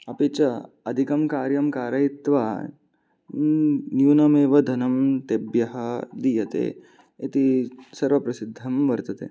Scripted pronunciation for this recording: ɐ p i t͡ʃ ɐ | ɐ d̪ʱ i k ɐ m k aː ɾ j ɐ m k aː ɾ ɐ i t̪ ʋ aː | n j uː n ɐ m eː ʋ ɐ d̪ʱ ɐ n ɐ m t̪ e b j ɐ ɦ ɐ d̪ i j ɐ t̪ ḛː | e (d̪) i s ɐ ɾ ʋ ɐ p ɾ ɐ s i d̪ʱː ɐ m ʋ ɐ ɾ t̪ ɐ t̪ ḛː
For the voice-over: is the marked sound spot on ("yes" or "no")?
no